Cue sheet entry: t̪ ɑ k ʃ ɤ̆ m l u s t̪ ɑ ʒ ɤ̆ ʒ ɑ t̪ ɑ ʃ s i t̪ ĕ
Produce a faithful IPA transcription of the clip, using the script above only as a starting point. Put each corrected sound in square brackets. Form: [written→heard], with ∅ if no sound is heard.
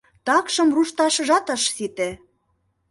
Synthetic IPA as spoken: t̪ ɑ k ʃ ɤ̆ m [l→r] u [s→ʃ] t̪ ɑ [ʒ→ʃ] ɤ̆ ʒ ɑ t̪ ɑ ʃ s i t̪ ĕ